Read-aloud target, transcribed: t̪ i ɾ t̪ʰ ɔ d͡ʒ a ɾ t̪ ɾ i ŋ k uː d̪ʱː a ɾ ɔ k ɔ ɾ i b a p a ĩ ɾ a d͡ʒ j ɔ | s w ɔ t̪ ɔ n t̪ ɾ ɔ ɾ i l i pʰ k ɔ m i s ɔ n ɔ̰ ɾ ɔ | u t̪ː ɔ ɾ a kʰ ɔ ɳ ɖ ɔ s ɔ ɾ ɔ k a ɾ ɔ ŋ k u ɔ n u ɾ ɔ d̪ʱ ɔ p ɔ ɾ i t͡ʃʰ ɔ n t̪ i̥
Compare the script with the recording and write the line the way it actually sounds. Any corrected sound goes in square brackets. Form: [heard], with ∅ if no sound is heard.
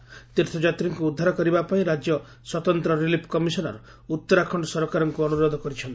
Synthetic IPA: t̪ i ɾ t̪ʰ ɔ d͡ʒ a [∅] t̪ ɾ i ŋ k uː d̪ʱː a ɾ ɔ k ɔ ɾ i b a p a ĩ ɾ a d͡ʒ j ɔ | s w ɔ t̪ ɔ n t̪ ɾ ɔ ɾ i l i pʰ k ɔ m i s ɔ n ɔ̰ ɾ ɔ | u t̪ː ɔ ɾ a kʰ ɔ ɳ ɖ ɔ s ɔ ɾ ɔ k a ɾ ɔ ŋ k u ɔ n u ɾ ɔ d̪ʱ ɔ [k] ɔ ɾ i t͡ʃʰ ɔ n t̪ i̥

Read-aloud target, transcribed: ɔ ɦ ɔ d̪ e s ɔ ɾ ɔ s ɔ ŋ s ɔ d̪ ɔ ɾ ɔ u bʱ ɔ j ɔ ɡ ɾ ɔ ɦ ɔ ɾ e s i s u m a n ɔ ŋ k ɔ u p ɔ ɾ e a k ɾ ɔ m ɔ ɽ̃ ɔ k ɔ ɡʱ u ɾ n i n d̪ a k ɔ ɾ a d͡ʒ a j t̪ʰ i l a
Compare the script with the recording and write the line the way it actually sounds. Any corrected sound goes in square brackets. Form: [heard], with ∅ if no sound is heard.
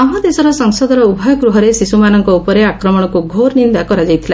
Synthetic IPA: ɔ ɦ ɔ d̪ e s ɔ ɾ ɔ s ɔ ŋ s ɔ d̪ ɔ ɾ ɔ u bʱ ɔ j ɔ ɡ ɾ [u] ɦ ɔ ɾ e s i s u m a n ɔ ŋ k ɔ u p ɔ ɾ e a k ɾ ɔ m ɔ ɽ̃ ɔ k [u] ɡʱ [o] ɾ n i n d̪ a k ɔ ɾ a d͡ʒ a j t̪ʰ i l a

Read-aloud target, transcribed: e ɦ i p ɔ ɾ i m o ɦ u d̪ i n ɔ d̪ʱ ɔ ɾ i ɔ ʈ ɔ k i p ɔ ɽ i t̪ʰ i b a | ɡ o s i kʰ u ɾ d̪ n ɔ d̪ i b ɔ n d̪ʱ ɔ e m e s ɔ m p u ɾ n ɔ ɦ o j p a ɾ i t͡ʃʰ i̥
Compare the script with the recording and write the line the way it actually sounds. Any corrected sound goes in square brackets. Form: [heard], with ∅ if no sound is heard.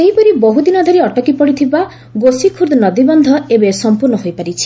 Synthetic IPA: e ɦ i p ɔ ɾ i [b] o ɦ u d̪ i n ɔ d̪ʱ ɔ ɾ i ɔ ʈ ɔ k i p ɔ ɽ i t̪ʰ i b a | ɡ o s i kʰ u ɾ d̪ n ɔ d̪ i b ɔ n d̪ʱ ɔ e [b] e s ɔ m p u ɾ n ɔ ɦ o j p a ɾ i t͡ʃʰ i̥

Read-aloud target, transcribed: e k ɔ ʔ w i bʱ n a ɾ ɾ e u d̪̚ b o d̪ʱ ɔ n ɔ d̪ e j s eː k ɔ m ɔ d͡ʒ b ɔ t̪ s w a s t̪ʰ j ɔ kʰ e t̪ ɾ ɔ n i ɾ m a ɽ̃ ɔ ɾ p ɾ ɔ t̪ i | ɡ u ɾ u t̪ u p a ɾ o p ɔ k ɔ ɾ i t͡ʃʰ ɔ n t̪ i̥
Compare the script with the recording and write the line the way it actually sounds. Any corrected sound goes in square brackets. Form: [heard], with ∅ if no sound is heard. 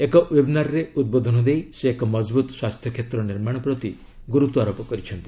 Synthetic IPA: e k ɔ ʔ w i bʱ n a ɾ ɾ e u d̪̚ b o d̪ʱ ɔ n ɔ d̪ e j s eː k ɔ m ɔ d͡ʒ b [u] t̪ s w a s t̪ʰ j ɔ kʰ e t̪ ɾ ɔ n i ɾ m a ɽ̃ ɔ [∅] p ɾ ɔ t̪ i | ɡ u ɾ u t̪ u [∅] a ɾ o p ɔ k ɔ ɾ i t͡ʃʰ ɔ n t̪ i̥

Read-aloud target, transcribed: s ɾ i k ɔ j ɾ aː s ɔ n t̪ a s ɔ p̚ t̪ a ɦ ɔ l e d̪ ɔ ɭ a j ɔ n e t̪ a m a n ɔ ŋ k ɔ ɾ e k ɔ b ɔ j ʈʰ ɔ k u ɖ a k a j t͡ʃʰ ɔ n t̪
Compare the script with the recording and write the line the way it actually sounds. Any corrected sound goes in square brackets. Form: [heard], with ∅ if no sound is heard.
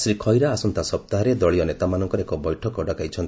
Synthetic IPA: s ɾ i [kʰ] ɔ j ɾ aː s ɔ n t̪ a s ɔ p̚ t̪ a ɦ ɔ [ɾ] e d̪ ɔ ɭ [i] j ɔ n e t̪ a m a n ɔ ŋ k ɔ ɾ e k ɔ b ɔ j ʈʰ ɔ k [ɔ] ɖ a k a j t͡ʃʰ ɔ n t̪

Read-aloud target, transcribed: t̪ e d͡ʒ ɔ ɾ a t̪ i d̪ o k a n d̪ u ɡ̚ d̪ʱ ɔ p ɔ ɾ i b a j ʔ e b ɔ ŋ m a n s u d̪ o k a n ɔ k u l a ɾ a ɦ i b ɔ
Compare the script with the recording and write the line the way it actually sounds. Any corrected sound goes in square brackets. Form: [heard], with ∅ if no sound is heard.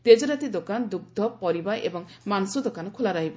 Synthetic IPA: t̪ e d͡ʒ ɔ ɾ a t̪ i d̪ o k a n d̪ u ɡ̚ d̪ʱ ɔ p ɔ ɾ i b a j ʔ e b ɔ ŋ m a n s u d̪ o k a n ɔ [kʰ] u l a ɾ a ɦ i b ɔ

